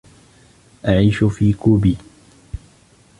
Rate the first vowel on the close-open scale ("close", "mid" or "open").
open